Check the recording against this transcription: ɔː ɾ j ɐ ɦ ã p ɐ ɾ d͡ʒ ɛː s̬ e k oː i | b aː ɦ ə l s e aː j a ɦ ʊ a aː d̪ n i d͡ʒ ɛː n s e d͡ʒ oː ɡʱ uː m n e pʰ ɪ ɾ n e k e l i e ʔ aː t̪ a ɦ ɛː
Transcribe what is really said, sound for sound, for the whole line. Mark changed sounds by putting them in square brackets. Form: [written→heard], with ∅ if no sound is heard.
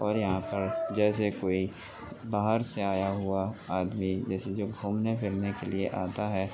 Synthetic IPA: ɔː ɾ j ɐ ɦ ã p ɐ ɾ d͡ʒ ɛː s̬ e k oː i | b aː ɦ ə [l→ɾ] s e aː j a ɦ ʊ a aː d̪ [n→m] i d͡ʒ ɛː [n→∅] s e d͡ʒ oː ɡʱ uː m n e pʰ ɪ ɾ n e k e l i e ʔ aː t̪ a ɦ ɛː